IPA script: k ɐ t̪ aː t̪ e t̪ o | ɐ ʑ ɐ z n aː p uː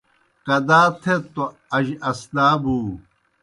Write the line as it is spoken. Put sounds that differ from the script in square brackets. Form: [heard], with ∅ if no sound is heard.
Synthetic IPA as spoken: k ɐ [d̪] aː [t̪ʰ] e t̪ o | ɐ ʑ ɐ [s] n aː [b] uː